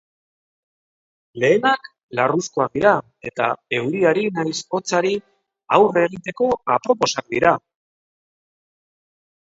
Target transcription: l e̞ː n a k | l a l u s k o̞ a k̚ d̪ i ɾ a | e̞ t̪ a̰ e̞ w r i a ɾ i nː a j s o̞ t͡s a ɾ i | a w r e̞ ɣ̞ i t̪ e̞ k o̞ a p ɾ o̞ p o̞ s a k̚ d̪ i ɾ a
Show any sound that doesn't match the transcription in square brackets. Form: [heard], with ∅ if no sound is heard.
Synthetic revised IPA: l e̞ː n a k | l a [r] u s k o̞ a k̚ d̪ i ɾ a | e̞ t̪ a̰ e̞ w [ɾ] i a ɾ i [n] a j s o̞ t͡s a ɾ i | a w r e̞ ɣ̞ i t̪ e̞ k o̞ a p ɾ o̞ p o̞ s a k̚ d̪ i ɾ a